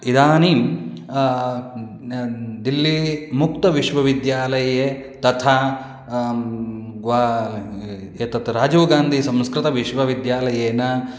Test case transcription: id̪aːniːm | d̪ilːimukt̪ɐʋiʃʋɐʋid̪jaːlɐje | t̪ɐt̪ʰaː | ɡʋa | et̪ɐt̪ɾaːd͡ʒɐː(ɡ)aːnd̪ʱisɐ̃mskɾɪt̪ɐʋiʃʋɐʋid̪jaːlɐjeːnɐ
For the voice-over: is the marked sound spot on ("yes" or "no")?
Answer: yes